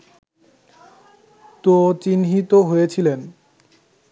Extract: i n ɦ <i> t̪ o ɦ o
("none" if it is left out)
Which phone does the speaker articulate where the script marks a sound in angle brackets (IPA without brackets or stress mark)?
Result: i